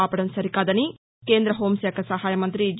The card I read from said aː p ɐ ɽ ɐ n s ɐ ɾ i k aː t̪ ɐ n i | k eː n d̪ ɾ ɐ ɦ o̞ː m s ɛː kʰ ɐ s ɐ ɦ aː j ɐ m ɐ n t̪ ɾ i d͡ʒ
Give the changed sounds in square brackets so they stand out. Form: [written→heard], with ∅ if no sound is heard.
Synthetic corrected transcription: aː p ɐ ɽ ɐ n s ɐ ɾ i k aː [t̪→d̪] ɐ n i | k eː n d̪ ɾ ɐ ɦ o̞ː m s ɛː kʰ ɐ s ɐ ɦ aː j ɐ m ɐ n t̪ ɾ i d͡ʒ

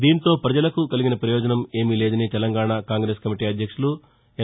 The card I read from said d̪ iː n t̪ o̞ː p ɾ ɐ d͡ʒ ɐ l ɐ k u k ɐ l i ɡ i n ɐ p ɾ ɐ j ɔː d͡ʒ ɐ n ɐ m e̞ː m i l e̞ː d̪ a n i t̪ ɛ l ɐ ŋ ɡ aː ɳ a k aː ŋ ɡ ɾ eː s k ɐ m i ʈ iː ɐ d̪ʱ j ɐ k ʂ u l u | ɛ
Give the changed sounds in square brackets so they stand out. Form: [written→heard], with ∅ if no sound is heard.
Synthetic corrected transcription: d̪ iː n t̪ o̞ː p ɾ ɐ d͡ʒ ɐ l ɐ k u k ɐ l i ɡ i n ɐ p ɾ ɐ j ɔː d͡ʒ ɐ n ɐ m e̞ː m i l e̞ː d̪ [a→ɐ] n i t̪ ɛ l ɐ ŋ ɡ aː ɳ a k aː ŋ ɡ ɾ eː s k ɐ m i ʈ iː ɐ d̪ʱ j ɐ k ʂ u l u | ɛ

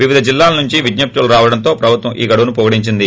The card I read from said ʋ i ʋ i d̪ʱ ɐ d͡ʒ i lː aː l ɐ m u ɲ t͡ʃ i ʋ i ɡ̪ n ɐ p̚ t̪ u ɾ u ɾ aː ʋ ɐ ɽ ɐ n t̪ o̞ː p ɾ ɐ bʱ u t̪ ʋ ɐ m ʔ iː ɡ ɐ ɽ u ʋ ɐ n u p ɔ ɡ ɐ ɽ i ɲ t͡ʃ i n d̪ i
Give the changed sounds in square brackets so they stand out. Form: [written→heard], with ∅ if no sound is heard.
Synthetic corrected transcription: ʋ i ʋ i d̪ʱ ɐ d͡ʒ i lː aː l ɐ [m→n] u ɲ t͡ʃ i ʋ i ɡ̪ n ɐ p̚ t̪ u [ɾ→l] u ɾ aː ʋ ɐ ɽ ɐ n t̪ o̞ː p ɾ ɐ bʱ u t̪ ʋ ɐ m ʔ iː ɡ ɐ ɽ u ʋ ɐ n u p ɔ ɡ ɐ ɽ i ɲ t͡ʃ i n d̪ i

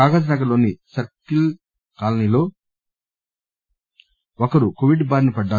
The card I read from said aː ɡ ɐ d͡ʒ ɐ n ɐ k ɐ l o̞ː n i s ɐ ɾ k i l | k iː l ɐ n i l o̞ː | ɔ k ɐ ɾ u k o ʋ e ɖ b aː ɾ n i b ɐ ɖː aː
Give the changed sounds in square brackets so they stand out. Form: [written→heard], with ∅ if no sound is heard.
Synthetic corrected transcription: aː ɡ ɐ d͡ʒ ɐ n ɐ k ɐ l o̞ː n i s ɐ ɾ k i l | k [iː→aː] l ɐ n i l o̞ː | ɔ k ɐ ɾ u k o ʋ [e→i] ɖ b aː ɾ n i [b→p] ɐ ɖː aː

